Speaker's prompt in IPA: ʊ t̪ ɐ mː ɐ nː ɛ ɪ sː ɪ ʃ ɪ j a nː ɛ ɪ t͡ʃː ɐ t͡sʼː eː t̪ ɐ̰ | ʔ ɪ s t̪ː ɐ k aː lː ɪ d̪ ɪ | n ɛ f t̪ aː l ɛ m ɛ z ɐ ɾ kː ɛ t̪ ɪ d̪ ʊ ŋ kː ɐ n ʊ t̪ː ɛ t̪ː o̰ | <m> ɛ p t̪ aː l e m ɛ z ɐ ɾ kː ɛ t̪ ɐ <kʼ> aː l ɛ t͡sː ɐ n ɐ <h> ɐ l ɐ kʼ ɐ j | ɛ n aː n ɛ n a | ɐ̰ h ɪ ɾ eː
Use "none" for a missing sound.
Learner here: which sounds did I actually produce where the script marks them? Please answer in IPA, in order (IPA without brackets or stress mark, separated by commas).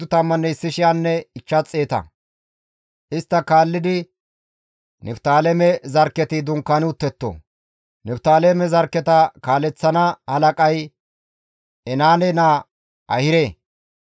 n, k, h